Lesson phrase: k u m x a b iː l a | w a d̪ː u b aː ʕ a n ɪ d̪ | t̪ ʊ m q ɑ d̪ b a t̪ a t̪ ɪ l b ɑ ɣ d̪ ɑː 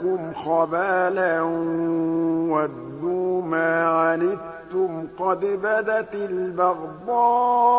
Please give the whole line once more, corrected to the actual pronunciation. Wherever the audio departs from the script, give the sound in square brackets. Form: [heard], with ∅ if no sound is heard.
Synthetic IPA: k [ʊ] m x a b [aː] l a | w a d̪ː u [m] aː ʕ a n ɪ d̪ | t̪ ʊ m q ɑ d̪ b a [d̪] a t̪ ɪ l b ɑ ɣ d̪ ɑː